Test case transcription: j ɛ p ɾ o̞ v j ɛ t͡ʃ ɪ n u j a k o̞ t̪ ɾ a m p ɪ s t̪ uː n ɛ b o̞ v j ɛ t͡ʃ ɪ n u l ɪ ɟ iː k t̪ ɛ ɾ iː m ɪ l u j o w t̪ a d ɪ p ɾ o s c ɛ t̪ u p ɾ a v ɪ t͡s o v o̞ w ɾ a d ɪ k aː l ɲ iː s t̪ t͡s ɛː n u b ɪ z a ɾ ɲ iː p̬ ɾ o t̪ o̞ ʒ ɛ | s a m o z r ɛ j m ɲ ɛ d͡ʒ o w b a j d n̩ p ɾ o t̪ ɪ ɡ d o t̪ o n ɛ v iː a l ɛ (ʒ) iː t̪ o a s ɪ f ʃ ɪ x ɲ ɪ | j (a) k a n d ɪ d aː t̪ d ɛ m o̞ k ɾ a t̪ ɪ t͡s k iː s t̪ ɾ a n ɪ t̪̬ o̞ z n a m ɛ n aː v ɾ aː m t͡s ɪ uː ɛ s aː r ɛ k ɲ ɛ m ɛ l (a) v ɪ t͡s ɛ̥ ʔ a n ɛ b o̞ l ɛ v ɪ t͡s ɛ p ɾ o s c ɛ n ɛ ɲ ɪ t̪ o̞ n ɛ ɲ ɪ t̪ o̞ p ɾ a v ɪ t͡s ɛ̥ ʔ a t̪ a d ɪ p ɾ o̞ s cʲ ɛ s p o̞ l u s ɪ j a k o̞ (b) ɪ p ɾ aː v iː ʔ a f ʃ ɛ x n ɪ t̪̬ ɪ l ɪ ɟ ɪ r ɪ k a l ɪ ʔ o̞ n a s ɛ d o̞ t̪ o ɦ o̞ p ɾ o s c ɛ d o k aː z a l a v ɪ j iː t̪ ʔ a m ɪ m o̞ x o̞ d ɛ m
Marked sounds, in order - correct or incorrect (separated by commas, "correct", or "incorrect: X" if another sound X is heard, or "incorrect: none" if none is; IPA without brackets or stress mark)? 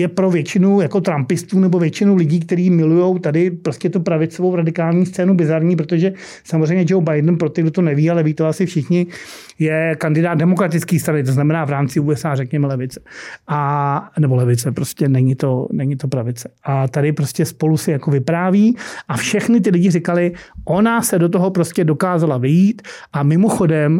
incorrect: v, incorrect: ɛ, incorrect: ɛ, incorrect: v